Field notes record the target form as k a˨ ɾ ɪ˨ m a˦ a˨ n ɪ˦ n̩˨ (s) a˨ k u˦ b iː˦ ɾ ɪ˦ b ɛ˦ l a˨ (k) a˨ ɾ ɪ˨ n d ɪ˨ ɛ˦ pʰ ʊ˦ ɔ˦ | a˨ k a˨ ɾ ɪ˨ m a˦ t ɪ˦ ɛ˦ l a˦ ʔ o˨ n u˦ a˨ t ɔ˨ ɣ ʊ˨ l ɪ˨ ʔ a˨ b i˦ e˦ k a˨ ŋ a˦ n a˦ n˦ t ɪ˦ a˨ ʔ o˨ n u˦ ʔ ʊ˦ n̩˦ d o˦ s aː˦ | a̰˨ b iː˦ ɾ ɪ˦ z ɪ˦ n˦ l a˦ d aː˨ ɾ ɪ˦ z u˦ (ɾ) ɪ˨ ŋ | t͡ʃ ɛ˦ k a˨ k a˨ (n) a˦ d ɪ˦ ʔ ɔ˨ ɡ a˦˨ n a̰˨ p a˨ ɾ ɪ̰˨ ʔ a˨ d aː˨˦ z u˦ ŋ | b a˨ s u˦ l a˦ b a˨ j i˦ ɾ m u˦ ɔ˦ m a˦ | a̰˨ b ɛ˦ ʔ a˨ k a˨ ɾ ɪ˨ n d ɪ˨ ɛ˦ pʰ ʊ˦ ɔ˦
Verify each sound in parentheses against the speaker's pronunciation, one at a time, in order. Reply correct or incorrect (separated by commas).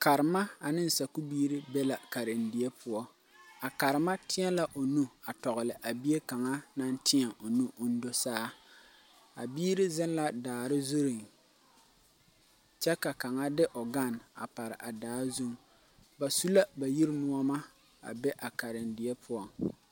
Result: correct, correct, correct, incorrect